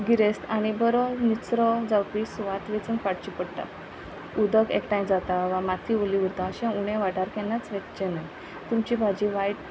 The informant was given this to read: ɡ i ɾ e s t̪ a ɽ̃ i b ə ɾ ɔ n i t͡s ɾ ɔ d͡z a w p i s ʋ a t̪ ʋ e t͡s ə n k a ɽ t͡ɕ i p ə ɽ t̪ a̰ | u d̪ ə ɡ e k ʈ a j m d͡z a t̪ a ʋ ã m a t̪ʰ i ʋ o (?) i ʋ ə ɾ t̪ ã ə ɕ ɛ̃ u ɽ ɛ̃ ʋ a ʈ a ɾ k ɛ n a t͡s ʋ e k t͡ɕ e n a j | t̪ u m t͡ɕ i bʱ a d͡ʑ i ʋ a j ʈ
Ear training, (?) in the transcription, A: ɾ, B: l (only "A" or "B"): B